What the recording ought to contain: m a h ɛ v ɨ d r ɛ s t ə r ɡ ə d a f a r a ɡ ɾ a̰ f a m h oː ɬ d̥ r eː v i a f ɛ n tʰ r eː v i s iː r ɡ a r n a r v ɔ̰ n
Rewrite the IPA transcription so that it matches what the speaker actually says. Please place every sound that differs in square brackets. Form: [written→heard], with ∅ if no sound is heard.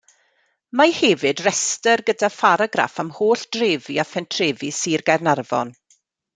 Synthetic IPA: m a h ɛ v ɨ d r ɛ s t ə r ɡ ə d a f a [r→ɾ] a ɡ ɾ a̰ f a m h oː ɬ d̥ r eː v i a f ɛ n tʰ r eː v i s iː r ɡ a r n a r v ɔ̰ n